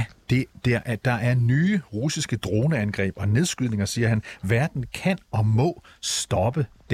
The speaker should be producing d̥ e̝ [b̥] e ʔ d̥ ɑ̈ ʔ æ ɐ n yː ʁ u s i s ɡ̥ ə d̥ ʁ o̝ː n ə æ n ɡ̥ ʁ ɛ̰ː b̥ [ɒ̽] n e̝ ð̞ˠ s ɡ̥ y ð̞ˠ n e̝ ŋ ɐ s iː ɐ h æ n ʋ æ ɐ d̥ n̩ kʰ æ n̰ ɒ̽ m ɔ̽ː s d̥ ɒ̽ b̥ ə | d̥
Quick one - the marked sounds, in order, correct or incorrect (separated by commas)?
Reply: incorrect, correct